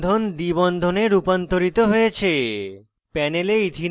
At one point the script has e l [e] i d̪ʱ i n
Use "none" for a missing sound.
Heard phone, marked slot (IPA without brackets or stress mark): e